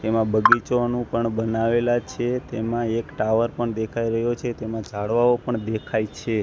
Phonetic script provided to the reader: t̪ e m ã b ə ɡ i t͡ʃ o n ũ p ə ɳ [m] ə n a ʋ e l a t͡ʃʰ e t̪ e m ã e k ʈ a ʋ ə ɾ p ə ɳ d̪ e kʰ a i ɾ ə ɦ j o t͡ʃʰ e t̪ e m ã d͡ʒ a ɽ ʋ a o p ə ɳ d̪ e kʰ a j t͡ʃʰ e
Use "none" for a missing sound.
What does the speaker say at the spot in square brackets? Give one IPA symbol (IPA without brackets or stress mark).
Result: b